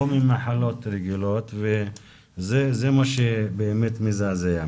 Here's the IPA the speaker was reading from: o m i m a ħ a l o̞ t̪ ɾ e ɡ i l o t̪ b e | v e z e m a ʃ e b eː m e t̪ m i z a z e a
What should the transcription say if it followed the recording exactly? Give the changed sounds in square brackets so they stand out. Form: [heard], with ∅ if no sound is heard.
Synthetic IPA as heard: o m i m a ħ a l o̞ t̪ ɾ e ɡ i l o t̪ [v] e | [z] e z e m a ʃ e b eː m e t̪ m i z a z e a